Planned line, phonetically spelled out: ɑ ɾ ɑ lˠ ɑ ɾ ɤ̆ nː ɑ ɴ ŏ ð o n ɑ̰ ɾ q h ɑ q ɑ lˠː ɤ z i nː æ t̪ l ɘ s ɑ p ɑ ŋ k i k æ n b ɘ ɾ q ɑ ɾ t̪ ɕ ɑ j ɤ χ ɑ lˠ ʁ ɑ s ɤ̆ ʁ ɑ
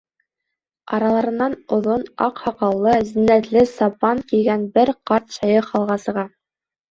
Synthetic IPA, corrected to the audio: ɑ ɾ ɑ lˠ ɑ ɾ ɤ̆ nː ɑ n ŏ ð o n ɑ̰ q h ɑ q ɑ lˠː ɤ z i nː æ t̪ l ɘ s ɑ p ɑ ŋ k i ɡ æ n b ɘ ɾ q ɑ ɾ t̪ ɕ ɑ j ɤ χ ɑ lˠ ʁ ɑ s ɤ̆ ʁ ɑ